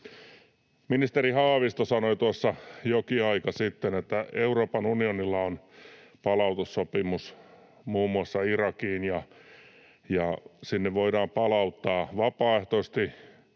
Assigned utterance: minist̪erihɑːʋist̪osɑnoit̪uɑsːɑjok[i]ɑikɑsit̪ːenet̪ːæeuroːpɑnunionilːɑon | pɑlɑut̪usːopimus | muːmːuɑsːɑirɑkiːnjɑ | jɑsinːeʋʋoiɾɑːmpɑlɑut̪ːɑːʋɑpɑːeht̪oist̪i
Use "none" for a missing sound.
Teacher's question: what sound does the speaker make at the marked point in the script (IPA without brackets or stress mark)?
i